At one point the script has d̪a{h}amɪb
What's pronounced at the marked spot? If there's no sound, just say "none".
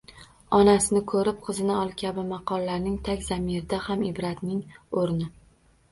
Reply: h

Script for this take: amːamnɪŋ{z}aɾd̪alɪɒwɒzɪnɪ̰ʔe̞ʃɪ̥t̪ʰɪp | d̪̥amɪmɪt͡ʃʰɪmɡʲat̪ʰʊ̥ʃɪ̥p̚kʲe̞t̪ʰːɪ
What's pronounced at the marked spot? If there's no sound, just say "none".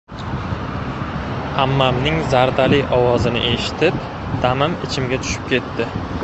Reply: z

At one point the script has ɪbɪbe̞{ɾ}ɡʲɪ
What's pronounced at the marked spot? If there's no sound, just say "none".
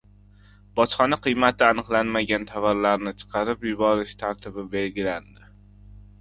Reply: l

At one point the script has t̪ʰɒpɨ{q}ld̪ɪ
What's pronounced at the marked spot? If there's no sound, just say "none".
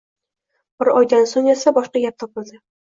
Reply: none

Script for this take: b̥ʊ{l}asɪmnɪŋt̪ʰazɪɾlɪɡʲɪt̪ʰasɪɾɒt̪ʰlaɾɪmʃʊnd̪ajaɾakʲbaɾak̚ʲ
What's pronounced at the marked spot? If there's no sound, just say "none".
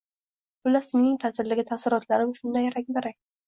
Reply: l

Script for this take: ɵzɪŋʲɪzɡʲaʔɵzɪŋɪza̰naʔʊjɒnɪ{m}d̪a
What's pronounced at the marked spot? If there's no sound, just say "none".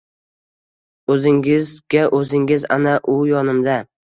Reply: m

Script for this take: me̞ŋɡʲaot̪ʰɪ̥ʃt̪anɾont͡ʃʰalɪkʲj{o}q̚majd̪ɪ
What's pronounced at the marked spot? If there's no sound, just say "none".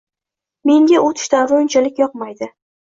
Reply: ɒ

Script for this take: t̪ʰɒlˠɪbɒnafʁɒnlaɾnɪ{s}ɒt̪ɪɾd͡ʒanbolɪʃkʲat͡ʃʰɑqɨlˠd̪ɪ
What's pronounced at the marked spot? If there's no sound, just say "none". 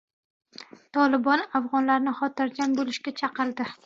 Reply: χ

